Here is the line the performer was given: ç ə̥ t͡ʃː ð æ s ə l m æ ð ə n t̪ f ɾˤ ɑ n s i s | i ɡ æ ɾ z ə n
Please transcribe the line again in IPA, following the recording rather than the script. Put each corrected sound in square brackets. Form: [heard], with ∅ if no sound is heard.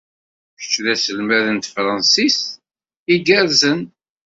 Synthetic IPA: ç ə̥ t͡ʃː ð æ s ə l m æ ð ə n t̪ f ɾˤ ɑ n s i s | i ɡ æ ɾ z ə n